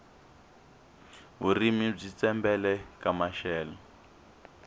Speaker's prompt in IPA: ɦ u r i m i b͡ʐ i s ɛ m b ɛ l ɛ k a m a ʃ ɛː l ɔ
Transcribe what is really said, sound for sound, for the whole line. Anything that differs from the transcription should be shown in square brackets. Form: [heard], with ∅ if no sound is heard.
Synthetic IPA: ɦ u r i m i b͡ʐ i [t͡s] ɛ m b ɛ l ɛ k a m a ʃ ɛː l ɔ